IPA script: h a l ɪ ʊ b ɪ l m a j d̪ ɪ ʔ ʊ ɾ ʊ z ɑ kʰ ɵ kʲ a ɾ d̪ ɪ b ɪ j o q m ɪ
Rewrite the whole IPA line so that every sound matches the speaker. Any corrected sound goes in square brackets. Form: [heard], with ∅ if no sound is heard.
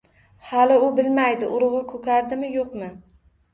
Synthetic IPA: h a l ɪ ʊ b ɪ l m a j d̪ ɪ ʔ ʊ ɾ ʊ [ʁ] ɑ kʰ ɵ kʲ a ɾ d̪ ɪ [m] ɪ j o q m ɪ